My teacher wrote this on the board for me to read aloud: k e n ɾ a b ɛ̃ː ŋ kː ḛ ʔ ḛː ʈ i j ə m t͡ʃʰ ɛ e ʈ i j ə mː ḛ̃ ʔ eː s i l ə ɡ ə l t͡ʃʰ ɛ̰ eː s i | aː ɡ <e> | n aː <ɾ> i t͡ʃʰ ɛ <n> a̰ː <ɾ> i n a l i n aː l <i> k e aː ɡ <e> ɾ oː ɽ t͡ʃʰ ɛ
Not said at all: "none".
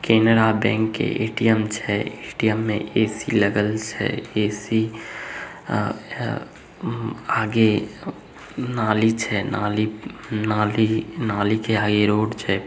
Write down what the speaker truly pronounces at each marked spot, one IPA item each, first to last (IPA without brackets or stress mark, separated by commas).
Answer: e, l, n, l, i, e